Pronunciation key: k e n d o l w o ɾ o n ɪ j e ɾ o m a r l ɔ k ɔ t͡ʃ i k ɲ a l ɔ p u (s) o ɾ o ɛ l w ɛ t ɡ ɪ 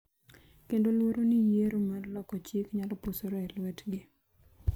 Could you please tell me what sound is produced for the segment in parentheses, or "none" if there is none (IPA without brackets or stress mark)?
s